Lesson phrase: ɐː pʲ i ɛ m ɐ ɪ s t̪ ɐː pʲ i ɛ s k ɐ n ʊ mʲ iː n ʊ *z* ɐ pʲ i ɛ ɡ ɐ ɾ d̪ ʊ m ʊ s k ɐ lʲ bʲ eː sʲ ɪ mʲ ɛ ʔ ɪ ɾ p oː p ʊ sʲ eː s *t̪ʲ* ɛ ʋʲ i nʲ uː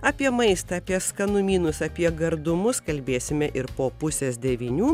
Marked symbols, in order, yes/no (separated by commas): no, no